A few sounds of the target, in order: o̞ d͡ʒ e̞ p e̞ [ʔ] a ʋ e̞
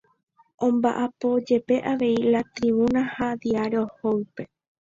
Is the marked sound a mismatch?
no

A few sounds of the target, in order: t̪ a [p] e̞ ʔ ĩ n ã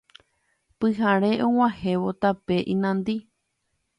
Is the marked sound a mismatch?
no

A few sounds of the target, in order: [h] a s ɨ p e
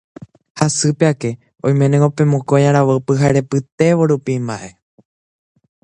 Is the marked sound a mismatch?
no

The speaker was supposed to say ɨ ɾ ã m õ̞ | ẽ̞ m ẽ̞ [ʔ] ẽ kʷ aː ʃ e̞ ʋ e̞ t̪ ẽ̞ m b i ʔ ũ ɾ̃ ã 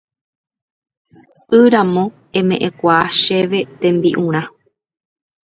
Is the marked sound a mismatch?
no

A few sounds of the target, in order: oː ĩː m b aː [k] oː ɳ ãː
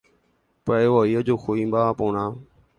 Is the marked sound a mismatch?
yes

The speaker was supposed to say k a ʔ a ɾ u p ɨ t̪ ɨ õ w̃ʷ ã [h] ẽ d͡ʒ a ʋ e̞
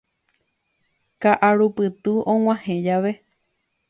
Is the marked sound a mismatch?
no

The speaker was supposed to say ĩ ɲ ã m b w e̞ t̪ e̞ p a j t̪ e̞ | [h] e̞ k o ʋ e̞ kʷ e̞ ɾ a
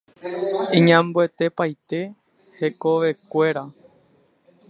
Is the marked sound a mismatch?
no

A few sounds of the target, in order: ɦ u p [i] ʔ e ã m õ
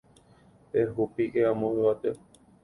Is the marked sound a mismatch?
no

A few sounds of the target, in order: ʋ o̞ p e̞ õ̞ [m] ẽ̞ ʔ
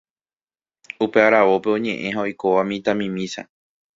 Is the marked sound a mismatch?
yes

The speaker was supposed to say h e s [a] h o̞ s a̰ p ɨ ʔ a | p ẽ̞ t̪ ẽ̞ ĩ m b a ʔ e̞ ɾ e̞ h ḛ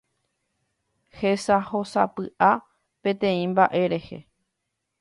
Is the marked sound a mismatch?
no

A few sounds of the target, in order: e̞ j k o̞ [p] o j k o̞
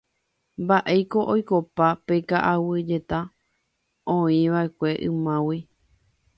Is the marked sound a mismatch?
yes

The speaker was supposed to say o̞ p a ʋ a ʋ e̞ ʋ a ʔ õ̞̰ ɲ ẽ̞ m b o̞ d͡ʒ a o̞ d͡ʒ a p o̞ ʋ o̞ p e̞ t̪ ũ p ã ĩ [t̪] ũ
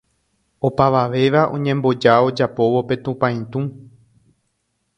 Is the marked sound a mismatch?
no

